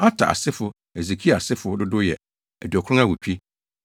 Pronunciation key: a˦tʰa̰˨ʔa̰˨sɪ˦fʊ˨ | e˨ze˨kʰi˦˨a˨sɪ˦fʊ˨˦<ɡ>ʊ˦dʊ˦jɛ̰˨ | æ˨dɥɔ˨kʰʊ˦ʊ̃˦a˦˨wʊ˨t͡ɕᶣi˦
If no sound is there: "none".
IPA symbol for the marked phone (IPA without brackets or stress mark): d